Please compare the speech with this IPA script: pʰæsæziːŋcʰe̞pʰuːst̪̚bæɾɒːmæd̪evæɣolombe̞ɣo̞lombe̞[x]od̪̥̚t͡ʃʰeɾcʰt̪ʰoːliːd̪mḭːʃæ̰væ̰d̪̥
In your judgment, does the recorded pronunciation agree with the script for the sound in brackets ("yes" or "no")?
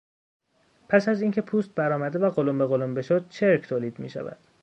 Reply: no